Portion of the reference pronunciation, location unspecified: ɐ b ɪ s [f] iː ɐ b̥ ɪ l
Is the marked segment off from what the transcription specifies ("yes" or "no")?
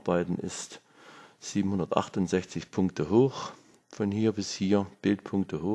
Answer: yes